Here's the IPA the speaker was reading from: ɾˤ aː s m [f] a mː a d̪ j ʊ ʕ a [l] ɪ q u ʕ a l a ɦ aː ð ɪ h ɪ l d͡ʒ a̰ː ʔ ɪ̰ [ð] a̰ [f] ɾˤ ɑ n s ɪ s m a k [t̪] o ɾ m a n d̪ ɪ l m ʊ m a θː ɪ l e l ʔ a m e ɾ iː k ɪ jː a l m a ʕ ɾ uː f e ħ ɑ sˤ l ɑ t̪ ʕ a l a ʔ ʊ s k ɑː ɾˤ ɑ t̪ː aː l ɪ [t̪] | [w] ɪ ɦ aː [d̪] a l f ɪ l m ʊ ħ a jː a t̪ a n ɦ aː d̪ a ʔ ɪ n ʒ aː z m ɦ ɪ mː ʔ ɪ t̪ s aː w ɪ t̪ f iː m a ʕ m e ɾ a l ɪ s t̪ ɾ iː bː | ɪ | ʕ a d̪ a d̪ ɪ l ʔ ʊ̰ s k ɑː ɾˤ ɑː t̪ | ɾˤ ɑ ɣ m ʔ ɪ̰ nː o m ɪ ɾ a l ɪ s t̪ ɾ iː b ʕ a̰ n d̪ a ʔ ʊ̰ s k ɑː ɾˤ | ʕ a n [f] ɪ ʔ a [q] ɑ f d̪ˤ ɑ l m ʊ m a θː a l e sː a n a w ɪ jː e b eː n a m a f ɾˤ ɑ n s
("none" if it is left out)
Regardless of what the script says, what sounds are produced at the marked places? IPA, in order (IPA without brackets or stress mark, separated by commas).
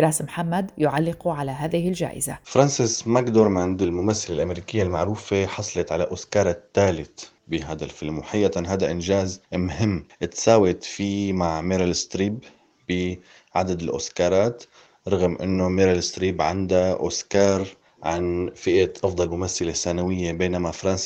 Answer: ħ, lː, z, f, d̪, t̪, b, d̪, f, ʔ